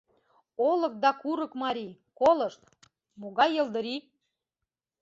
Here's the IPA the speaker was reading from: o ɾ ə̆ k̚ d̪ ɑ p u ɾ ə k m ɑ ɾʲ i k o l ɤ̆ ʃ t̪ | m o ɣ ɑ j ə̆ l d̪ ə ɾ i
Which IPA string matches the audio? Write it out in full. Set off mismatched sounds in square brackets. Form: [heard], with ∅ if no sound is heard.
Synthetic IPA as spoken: o [l] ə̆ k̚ d̪ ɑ [k] u ɾ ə k m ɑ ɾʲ i k o l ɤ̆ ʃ t̪ | m o ɣ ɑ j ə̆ l d̪ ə ɾ i